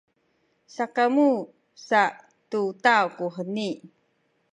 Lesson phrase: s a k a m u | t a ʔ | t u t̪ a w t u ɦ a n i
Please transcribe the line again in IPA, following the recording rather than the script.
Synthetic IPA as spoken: s a k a m u | s a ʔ | t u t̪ a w k u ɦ ə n i